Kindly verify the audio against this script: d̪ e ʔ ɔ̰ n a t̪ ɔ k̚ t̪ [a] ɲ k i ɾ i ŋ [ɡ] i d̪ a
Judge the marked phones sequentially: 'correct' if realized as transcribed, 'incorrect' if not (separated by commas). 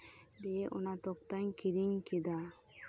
correct, incorrect